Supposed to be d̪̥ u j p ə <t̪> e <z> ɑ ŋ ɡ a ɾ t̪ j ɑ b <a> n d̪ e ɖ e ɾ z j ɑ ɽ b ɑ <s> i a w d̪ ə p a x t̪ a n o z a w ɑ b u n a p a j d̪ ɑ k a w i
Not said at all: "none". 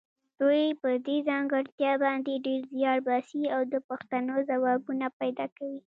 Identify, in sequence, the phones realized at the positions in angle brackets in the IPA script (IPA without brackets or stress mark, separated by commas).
d̪, z, ɑ, s